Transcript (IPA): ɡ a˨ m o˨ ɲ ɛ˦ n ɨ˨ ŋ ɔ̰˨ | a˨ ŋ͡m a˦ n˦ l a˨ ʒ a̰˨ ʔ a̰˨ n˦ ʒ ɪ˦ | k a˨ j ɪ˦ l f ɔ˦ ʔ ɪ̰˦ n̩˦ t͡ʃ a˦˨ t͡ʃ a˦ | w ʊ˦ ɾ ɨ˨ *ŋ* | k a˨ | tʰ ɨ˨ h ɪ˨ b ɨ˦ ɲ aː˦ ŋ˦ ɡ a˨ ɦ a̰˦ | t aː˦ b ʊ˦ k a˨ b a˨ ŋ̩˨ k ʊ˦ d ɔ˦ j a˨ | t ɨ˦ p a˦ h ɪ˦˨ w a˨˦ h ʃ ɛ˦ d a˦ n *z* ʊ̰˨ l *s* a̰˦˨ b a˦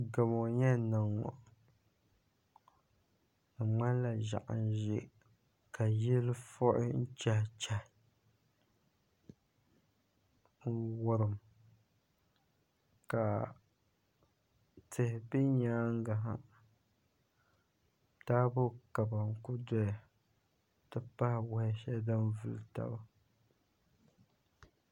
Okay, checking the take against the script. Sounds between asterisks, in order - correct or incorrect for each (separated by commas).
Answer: incorrect, incorrect, incorrect